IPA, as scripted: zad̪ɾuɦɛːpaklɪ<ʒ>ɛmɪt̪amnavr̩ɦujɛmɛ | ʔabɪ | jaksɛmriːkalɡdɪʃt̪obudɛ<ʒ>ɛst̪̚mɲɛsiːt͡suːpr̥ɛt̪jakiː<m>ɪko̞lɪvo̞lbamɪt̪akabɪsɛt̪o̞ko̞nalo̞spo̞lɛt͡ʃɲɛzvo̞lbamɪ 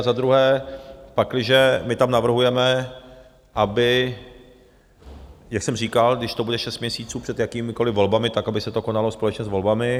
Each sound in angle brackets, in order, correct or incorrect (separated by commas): correct, incorrect, correct